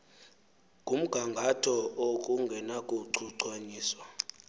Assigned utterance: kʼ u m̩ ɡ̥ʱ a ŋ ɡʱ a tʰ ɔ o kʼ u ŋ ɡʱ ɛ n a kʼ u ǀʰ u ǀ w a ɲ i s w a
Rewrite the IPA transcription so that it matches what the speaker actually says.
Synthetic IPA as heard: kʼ u m̩ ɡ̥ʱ a ŋ ɡʱ a tʰ ɔ o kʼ u ŋ ɡʱ ɛ n a kʼ u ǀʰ u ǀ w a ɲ iː s w a